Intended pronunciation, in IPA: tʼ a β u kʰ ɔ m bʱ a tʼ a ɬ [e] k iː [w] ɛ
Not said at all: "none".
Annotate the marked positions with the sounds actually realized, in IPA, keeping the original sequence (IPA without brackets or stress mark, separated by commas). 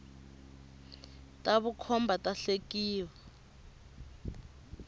e, w